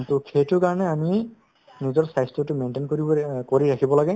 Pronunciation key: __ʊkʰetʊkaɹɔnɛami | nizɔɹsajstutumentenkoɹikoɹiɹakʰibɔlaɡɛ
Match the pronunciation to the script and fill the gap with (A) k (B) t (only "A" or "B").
B